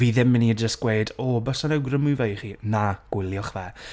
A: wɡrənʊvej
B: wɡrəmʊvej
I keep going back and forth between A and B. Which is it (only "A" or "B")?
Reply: B